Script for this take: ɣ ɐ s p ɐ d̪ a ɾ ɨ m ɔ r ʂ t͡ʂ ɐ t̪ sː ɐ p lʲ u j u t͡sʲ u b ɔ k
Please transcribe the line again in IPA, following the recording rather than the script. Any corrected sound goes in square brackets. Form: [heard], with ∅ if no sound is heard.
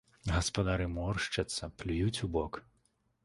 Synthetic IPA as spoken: ɣ ɐ s p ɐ d̪ a ɾ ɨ m ɔ r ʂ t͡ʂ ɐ t̪ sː ɐ p lʲ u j u t͡sʲ u b ɔ k